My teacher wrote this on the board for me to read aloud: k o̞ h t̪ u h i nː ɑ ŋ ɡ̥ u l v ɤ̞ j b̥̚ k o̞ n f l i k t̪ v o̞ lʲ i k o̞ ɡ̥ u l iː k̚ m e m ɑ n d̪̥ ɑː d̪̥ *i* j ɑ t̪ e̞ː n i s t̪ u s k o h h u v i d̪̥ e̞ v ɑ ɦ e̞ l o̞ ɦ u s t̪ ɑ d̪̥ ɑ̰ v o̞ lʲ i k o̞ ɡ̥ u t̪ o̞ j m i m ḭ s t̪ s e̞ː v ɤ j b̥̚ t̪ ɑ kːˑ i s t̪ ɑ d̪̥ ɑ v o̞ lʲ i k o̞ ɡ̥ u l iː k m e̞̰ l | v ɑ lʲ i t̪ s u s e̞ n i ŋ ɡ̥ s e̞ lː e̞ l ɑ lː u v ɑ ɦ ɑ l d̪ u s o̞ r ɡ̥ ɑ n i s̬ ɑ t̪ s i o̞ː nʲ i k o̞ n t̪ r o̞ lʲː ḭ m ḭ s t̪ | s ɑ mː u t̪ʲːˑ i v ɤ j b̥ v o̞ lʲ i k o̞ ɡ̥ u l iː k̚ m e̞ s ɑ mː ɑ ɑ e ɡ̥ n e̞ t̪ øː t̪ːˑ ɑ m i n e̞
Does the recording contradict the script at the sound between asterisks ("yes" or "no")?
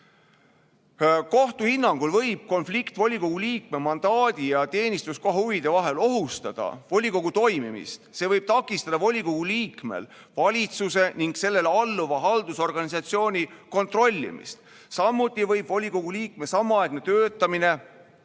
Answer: no